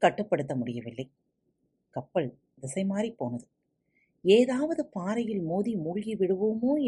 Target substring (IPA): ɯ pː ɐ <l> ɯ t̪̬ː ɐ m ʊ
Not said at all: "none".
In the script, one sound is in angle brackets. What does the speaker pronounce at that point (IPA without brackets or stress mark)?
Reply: ɽ